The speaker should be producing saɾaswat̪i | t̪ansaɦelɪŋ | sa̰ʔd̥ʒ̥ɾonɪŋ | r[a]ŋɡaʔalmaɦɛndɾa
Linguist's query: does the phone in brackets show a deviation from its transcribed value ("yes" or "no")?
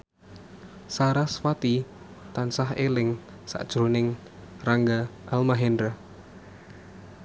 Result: no